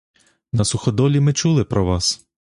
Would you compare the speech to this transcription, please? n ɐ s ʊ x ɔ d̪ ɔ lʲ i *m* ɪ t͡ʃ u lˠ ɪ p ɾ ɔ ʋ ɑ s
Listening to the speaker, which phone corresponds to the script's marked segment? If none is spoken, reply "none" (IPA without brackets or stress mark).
m